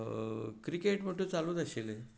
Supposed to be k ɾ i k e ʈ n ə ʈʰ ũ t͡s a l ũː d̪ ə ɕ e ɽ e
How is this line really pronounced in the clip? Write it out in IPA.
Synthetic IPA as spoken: k ɾ i k e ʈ m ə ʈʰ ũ t͡s a l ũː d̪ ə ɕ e l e